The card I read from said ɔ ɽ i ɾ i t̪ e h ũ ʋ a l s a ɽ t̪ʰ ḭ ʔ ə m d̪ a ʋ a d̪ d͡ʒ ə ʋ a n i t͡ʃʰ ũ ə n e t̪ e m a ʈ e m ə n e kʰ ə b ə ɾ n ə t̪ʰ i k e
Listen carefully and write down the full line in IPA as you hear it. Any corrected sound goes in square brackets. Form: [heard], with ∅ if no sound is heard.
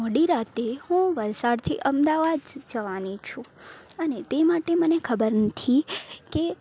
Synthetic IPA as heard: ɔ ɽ i ɾ [a] t̪ e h ũ ʋ [ə] l s a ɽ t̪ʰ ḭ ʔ ə m d̪ a ʋ a d̪ d͡ʒ ə ʋ a n i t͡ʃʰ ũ ə n e t̪ e m a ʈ e m ə n e kʰ ə b ə ɾ n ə t̪ʰ i k e

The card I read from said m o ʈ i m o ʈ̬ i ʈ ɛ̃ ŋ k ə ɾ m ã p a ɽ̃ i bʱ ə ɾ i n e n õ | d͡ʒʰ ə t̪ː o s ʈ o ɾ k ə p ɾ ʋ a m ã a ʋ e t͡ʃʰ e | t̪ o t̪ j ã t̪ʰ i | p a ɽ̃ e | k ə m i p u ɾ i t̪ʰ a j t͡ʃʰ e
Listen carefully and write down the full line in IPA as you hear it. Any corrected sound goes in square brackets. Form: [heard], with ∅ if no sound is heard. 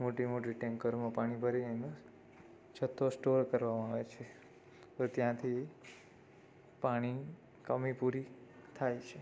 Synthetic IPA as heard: m o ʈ i m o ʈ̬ i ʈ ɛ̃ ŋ k ə ɾ m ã p a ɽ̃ i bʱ ə ɾ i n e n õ | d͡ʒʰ ə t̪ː o s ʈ o ɾ k ə [∅] ɾ ʋ a m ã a ʋ e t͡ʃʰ e | t̪ o t̪ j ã t̪ʰ i | p a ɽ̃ [i] | k ə m i p u ɾ i t̪ʰ a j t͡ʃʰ e

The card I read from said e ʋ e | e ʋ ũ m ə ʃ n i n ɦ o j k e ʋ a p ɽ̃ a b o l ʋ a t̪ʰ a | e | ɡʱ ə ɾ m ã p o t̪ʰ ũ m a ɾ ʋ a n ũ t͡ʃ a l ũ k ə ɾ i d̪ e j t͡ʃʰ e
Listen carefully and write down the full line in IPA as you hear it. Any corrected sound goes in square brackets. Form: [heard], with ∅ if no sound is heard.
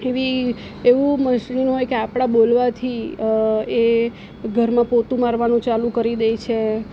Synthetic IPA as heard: e ʋ [i] | e ʋ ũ m ə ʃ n i n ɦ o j k e [∅] a p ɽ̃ a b o l ʋ a t̪ʰ [i] | e | ɡʱ ə ɾ m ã p o [t̪] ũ m a ɾ ʋ a n ũ t͡ʃ a l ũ k ə ɾ i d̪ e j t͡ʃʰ e

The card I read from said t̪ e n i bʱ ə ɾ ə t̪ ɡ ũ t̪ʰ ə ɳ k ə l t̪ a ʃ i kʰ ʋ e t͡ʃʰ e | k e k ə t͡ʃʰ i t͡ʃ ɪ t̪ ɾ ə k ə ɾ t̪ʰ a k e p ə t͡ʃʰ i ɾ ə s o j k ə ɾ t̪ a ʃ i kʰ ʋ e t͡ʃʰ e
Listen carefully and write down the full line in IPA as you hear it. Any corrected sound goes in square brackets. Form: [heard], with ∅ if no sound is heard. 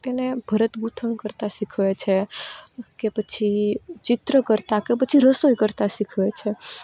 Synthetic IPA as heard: t̪ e n [e] bʱ ə ɾ ə t̪ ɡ [u] t̪ʰ ə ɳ k ə [ɾ] t̪ a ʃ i kʰ ʋ e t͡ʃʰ e | k e [p] ə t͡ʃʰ i t͡ʃ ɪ t̪ ɾ ə k ə ɾ [t̪] a k e p ə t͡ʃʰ i ɾ ə s o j k ə ɾ t̪ a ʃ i kʰ ʋ e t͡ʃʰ e

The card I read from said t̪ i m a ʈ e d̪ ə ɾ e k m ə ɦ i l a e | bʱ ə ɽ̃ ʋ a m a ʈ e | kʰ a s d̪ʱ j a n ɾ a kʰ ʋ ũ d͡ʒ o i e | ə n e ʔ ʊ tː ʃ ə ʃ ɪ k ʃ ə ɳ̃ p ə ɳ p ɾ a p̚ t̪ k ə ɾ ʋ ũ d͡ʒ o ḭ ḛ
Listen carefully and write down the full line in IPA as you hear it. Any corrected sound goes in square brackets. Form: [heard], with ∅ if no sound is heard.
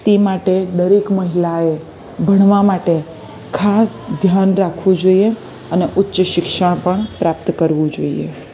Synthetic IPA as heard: t̪ i m a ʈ e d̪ ə ɾ e k m ə ɦ i l a e | bʱ ə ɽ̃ ʋ a m a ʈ e | kʰ a s d̪ʱ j a n ɾ a kʰ ʋ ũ d͡ʒ o i e | ə n e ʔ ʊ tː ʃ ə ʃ ɪ k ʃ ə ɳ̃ p ə ɳ p ɾ a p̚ t̪ k ə ɾ ʋ ũ d͡ʒ o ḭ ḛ

